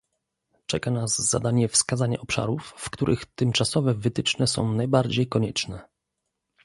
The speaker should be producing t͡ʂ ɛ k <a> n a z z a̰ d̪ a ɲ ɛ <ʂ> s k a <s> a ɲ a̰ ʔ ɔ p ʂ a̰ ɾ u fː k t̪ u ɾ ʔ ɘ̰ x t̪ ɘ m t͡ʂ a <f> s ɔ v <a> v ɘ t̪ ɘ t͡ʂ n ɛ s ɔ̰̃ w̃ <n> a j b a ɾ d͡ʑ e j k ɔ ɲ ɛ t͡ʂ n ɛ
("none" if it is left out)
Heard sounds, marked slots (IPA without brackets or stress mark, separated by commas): a, f, z, none, ɛ, n